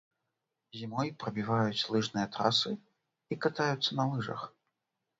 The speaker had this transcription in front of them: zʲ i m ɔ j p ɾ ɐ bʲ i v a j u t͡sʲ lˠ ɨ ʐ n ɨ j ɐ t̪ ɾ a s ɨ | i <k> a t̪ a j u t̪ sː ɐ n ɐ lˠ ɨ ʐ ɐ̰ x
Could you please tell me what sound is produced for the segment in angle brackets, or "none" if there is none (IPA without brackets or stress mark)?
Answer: k